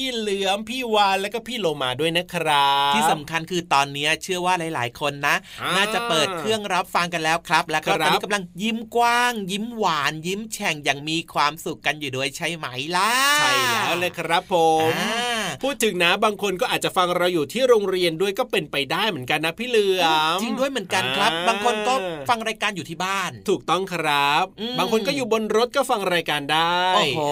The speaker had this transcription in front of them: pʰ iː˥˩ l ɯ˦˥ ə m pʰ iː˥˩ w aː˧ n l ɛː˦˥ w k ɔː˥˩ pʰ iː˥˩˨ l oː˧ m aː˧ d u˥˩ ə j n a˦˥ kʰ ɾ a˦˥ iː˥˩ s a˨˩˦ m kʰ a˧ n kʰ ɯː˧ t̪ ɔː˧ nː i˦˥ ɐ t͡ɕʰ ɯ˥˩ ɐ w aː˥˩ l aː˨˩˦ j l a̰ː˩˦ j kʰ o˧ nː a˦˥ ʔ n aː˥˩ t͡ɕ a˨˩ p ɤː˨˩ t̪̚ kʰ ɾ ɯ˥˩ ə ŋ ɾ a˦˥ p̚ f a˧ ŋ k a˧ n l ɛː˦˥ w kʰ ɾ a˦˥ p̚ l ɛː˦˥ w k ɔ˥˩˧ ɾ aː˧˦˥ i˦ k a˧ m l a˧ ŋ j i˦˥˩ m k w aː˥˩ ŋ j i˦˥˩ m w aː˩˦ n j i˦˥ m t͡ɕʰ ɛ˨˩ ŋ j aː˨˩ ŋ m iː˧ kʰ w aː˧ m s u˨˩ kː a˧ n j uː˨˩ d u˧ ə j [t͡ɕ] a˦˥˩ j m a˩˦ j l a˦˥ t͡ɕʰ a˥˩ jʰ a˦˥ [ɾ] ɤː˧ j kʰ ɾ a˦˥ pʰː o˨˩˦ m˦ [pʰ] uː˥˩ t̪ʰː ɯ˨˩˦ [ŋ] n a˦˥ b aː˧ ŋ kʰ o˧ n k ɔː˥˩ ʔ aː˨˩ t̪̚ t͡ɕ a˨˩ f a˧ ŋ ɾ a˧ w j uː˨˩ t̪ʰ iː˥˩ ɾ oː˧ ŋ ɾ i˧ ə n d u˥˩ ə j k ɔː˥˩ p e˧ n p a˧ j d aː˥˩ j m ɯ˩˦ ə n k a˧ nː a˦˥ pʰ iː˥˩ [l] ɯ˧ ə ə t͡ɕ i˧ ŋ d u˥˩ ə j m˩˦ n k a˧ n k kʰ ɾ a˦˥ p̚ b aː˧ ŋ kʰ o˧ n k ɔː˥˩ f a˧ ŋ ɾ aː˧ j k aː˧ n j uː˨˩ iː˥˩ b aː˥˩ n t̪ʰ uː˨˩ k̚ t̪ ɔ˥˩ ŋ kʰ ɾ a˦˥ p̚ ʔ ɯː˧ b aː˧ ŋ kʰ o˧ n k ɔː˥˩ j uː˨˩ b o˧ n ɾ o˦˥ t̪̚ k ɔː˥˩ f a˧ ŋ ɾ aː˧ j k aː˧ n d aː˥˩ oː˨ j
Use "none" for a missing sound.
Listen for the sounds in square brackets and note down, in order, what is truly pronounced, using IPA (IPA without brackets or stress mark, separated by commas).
t͡ɕʰ, l, pʰ, ŋ, l